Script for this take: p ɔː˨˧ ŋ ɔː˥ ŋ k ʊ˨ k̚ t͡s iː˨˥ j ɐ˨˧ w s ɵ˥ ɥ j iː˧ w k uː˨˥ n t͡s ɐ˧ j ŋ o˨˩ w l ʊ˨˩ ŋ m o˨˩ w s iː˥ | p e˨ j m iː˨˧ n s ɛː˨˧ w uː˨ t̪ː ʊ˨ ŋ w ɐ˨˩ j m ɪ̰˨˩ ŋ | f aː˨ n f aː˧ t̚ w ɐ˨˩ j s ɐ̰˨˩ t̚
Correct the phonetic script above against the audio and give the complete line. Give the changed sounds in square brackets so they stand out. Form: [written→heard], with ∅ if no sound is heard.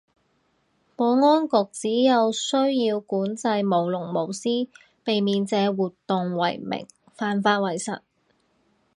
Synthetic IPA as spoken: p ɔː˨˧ ŋ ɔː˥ [ŋ→n] k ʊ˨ k̚ t͡s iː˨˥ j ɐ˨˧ w s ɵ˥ ɥ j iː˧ w k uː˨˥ n t͡s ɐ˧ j [ŋ→m] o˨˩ w l ʊ˨˩ ŋ m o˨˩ w s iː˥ | p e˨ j m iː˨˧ n [s→t͡s] ɛː˨˧ w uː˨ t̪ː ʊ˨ ŋ w ɐ˨˩ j m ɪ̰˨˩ ŋ | f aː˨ n f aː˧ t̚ w ɐ˨˩ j s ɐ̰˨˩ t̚